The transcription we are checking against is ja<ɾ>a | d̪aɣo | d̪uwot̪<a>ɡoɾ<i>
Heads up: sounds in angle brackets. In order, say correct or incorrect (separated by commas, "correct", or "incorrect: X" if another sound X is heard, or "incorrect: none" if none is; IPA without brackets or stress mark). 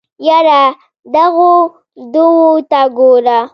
correct, correct, incorrect: a